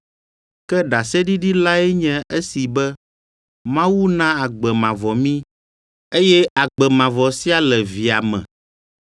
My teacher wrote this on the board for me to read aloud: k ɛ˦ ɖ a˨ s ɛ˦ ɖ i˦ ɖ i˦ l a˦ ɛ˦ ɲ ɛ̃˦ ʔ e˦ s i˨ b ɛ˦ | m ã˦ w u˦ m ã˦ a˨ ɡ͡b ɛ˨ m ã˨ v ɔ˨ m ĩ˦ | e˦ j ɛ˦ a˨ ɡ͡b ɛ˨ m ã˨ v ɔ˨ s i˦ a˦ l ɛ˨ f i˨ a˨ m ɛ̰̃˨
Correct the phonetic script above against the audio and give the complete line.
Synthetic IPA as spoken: k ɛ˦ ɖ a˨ s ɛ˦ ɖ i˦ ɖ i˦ l a˦ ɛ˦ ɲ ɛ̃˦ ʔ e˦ s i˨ b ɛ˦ | m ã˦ w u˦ n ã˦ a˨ ɡ͡b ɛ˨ m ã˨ v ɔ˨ m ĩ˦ | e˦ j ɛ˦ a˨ ɡ͡b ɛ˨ m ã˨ v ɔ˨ s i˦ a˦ l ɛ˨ v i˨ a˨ m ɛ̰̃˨